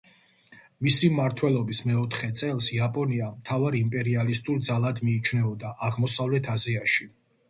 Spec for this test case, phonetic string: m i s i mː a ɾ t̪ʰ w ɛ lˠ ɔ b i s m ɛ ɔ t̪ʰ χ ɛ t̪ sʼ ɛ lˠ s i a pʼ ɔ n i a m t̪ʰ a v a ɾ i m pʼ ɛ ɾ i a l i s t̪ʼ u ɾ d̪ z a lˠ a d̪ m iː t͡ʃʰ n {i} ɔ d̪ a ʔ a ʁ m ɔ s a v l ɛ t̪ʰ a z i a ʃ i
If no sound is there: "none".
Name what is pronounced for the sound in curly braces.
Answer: ɛ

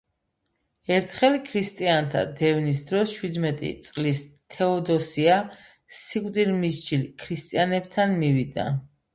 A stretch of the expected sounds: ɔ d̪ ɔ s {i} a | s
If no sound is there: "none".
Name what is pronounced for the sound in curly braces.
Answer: i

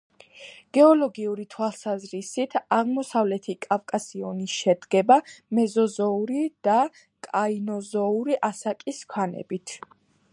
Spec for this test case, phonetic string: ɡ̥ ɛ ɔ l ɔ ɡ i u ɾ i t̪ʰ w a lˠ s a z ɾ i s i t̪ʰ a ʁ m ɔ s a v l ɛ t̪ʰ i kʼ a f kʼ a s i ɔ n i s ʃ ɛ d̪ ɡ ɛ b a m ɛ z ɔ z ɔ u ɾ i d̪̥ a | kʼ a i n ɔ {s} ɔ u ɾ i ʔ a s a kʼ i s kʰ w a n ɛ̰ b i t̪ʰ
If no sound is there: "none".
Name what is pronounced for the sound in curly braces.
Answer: z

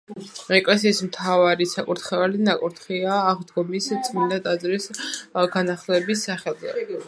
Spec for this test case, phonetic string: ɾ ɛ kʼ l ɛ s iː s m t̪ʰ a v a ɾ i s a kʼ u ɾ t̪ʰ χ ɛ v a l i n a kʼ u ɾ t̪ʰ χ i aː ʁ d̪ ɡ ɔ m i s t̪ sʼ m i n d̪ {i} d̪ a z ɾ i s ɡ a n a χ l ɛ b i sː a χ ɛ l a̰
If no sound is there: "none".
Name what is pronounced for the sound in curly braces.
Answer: a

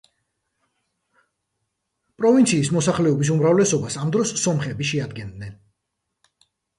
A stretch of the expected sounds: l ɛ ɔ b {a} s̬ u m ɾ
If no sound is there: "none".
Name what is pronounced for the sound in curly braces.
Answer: i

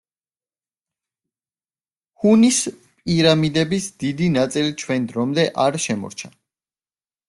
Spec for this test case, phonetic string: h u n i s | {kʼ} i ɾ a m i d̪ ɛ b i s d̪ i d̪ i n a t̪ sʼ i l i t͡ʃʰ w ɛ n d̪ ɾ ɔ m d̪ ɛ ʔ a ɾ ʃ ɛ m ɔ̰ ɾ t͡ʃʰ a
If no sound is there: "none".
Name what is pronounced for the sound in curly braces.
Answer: pʼ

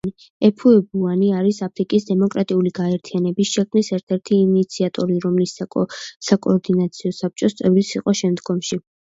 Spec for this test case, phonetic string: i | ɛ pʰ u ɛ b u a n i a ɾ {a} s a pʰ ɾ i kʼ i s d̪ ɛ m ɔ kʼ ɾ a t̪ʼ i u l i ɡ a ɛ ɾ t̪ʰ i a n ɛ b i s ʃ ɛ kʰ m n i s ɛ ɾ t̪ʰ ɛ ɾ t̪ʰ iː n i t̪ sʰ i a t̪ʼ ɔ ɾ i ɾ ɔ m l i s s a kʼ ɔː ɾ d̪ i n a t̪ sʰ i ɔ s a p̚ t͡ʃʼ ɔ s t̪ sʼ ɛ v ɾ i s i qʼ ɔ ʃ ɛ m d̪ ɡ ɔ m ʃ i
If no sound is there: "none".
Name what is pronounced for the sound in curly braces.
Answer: i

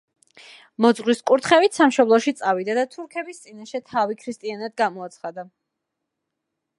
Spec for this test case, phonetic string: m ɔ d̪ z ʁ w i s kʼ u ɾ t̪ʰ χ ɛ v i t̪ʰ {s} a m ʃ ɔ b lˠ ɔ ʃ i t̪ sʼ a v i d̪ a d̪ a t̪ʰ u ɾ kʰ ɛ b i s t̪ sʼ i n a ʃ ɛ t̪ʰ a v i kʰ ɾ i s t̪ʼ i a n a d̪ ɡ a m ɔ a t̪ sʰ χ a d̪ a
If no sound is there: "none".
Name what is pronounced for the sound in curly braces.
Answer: s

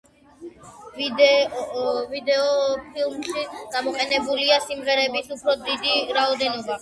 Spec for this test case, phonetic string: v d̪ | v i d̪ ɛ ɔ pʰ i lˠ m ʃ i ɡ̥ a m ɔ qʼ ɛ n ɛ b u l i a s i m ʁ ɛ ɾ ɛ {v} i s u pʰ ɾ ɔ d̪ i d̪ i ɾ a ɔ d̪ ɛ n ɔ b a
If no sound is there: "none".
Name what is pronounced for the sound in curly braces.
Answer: b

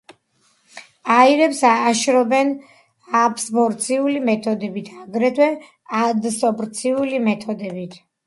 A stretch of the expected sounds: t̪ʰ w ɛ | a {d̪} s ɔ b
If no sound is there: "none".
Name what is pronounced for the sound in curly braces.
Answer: d̪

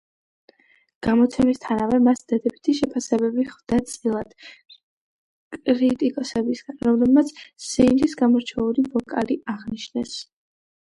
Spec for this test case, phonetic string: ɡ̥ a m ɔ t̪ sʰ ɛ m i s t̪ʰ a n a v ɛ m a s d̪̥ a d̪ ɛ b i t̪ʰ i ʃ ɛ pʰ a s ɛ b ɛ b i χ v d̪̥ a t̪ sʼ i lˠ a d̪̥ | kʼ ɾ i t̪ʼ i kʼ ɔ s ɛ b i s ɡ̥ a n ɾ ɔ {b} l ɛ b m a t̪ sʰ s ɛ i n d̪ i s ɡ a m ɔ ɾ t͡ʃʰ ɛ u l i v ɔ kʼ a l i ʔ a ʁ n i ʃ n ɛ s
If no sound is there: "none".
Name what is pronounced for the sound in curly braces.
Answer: m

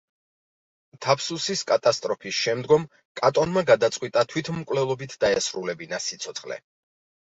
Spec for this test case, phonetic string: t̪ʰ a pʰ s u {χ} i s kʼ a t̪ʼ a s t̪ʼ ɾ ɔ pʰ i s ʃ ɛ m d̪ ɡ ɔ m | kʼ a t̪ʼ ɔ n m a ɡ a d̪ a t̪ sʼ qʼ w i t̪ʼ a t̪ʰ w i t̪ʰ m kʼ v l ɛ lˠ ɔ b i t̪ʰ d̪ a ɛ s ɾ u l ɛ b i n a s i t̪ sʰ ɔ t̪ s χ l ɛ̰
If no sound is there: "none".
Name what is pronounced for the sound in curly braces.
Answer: s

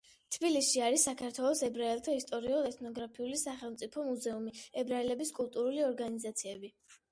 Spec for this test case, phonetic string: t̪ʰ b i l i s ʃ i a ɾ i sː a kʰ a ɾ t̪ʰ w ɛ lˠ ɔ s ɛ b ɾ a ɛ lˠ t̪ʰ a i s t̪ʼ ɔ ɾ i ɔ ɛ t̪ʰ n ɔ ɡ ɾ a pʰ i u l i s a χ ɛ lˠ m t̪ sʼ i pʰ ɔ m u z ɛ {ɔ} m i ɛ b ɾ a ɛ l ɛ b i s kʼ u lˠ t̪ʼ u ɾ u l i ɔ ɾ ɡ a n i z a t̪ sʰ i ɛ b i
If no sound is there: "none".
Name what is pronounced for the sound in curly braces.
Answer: u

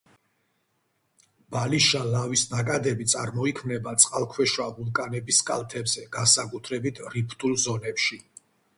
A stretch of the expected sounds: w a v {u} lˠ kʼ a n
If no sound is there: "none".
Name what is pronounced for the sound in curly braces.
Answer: u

